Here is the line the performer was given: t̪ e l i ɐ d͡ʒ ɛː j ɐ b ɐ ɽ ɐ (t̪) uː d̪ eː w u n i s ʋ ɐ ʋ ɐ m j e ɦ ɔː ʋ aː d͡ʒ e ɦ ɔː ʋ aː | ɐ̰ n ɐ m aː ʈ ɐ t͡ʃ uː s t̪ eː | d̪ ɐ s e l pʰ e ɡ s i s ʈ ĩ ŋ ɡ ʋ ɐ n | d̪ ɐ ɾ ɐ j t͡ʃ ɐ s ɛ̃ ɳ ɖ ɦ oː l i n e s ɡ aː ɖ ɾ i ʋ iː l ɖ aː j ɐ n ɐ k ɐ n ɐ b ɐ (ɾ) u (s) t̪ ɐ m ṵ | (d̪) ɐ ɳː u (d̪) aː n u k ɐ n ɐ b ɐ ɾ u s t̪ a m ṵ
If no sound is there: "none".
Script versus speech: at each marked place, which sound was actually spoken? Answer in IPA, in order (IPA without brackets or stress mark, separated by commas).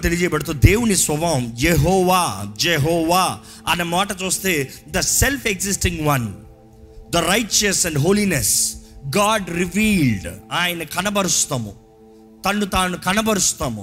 t̪, ɾ, s, t̪, t̪